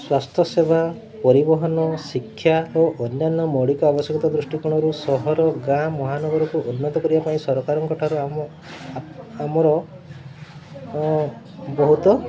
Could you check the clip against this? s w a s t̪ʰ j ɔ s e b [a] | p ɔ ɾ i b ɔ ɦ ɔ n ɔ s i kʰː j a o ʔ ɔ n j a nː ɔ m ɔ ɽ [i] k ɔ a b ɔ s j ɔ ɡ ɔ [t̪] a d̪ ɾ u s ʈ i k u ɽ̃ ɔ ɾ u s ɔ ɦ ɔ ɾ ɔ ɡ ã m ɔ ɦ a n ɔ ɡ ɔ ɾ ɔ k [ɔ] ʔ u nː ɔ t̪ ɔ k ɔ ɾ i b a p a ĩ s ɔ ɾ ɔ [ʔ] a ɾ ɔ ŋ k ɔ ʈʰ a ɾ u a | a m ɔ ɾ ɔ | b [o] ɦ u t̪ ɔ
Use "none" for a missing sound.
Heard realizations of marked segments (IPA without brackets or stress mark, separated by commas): a, i, t̪, u, k, ɔ